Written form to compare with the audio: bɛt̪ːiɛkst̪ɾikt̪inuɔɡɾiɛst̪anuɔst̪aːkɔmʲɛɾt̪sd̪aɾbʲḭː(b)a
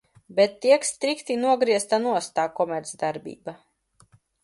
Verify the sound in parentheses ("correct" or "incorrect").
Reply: correct